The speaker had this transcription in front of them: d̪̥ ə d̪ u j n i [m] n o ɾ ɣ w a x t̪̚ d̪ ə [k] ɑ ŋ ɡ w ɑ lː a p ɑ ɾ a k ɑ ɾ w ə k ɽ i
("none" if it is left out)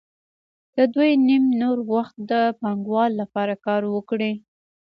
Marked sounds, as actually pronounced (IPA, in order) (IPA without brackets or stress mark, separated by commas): m, p